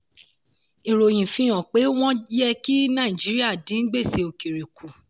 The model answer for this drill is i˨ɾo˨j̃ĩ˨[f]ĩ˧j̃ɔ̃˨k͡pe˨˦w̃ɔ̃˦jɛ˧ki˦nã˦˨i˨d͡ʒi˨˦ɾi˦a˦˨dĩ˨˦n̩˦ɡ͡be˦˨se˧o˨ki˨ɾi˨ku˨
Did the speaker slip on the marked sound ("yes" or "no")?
no